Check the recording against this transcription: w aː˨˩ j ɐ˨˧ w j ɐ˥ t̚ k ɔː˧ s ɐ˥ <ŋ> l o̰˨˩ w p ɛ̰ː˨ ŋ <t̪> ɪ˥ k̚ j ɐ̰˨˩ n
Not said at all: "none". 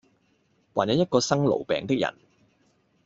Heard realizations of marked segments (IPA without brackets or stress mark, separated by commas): ŋ, t̪